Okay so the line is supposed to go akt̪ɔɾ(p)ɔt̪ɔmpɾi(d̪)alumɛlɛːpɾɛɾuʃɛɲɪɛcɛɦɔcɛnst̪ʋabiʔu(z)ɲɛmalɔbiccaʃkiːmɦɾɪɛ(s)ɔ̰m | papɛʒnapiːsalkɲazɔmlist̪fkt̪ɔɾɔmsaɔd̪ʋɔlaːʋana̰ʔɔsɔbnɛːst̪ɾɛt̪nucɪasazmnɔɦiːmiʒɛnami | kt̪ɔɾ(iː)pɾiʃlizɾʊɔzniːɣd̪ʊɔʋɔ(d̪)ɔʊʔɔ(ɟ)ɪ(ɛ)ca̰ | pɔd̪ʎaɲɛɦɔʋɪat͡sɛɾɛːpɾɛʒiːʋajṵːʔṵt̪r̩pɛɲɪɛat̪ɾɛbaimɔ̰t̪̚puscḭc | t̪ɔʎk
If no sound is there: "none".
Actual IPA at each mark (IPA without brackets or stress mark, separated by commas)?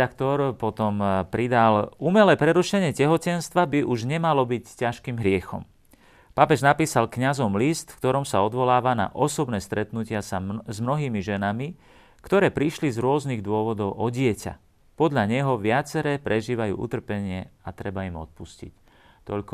p, d̪, ʒ, x, ɛː, d̪, ɟ, ɛ